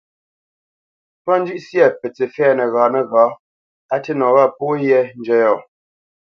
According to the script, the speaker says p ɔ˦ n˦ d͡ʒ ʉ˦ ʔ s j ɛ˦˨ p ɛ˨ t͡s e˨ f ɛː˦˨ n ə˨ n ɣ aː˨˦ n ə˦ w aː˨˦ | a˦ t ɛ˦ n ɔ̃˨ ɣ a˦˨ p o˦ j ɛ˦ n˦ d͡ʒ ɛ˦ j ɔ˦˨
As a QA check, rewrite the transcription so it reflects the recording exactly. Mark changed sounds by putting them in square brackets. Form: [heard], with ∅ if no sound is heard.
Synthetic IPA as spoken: p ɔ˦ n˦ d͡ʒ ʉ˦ ʔ s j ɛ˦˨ p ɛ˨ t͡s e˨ f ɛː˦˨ n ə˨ [∅] ɣ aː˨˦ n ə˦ [ɣ] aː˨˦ | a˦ t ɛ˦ n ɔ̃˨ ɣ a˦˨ p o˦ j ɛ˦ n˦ d͡ʒ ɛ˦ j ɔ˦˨